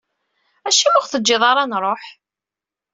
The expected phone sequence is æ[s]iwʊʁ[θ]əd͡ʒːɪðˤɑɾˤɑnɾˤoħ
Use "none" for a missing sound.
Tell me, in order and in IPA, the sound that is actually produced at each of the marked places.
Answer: ʃ, θ

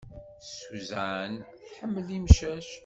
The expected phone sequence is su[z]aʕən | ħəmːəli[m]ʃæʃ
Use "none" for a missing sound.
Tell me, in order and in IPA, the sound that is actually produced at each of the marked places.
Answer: z, m

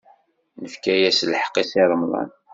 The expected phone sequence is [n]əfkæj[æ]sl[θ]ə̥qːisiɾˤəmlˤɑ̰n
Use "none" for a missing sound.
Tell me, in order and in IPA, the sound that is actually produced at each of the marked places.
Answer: n, æ, ħ

